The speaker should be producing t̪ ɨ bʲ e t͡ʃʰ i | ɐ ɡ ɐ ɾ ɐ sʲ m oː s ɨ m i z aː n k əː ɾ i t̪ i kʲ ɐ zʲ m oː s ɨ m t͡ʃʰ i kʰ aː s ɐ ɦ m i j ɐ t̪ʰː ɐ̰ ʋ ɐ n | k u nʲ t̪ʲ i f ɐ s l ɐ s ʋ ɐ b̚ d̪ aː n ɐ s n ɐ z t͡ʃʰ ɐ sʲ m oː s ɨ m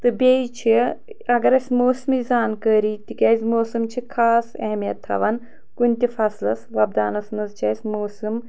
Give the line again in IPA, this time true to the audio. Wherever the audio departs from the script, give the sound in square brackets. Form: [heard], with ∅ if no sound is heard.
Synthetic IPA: t̪ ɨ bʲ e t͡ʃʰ i | ɐ ɡ ɐ ɾ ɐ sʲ m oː s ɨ m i z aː n k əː ɾ i t̪ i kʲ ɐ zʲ m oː s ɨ m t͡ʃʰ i kʰ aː s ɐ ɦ m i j ɐ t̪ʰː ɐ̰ ʋ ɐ n | k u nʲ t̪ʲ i f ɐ s l ɐ s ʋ ɐ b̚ d̪ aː n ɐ s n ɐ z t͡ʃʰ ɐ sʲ m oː s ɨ m